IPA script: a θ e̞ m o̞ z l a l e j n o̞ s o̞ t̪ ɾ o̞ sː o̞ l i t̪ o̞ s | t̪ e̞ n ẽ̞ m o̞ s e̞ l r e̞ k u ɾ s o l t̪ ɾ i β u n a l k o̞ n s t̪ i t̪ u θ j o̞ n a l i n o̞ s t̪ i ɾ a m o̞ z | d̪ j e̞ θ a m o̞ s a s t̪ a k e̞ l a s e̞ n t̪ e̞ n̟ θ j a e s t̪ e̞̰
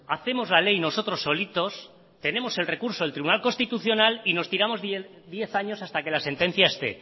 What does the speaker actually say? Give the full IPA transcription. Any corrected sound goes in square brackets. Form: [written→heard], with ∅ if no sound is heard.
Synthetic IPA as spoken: a θ e̞ m o̞ z l a l e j n o̞ s o̞ t̪ ɾ o̞ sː o̞ l i t̪ o̞ s | t̪ e̞ n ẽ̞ m o̞ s e̞ l r e̞ k u ɾ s o l t̪ ɾ i β u n a l k o̞ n s t̪ i t̪ u θ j o̞ n a l i n o̞ s t̪ i ɾ a m o̞ z | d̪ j e̞ θ a [m→ɲ] o̞ s a s t̪ a k e̞ l a s e̞ n t̪ e̞ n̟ θ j a e s t̪ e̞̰